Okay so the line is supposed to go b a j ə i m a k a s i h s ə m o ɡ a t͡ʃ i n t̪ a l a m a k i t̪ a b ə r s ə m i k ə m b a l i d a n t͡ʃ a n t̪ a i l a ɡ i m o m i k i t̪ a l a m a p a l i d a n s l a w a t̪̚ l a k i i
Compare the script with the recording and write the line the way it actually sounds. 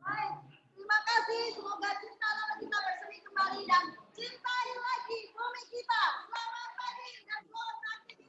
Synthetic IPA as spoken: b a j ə i m a k a s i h s ə m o ɡ a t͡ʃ i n t̪ a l a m a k i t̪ a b ə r s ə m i k ə m b a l i d a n t͡ʃ i n t̪ a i l a ɡ i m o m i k i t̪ a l a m a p a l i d a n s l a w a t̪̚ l a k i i